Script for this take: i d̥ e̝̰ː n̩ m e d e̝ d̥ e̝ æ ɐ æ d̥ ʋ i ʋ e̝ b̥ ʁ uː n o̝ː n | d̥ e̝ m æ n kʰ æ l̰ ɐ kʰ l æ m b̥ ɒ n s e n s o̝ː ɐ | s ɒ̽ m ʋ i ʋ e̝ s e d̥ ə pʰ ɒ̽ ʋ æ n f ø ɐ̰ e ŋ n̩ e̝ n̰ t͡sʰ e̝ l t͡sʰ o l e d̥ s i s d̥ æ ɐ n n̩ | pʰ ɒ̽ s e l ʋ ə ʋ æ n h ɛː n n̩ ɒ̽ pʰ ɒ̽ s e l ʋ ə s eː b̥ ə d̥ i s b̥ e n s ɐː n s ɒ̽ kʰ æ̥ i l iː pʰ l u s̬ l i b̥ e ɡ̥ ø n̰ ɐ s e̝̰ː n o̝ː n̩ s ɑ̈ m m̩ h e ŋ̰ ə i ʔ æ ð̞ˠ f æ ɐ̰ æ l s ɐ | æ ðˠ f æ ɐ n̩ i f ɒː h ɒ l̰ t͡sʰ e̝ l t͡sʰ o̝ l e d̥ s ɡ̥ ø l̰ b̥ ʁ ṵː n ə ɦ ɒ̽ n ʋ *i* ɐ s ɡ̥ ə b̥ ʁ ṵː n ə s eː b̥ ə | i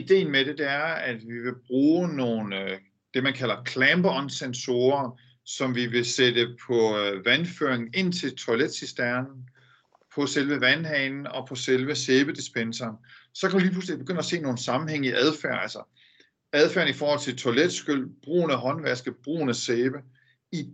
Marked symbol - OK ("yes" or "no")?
no